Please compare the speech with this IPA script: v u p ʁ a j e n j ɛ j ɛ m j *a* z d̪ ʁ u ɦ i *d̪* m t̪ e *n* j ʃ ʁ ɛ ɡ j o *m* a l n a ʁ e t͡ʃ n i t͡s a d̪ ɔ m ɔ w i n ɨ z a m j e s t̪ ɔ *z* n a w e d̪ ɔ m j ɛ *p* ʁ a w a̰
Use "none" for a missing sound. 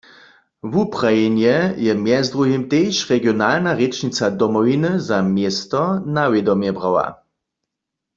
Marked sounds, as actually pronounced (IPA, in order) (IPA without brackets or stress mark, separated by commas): ɛ, none, none, n, none, b